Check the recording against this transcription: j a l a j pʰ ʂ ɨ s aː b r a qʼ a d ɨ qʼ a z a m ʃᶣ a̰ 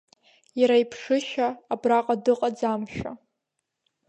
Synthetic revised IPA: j a ɾ a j pʰ ʂ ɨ ʃ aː b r a qʼ a d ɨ qʼ a d͡z a m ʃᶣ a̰